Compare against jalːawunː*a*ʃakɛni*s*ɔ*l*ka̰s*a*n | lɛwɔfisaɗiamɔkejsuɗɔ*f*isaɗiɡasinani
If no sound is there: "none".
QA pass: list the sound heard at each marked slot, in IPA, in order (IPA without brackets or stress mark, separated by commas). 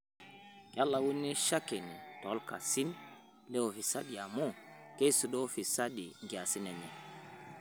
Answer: i, t, l, i, f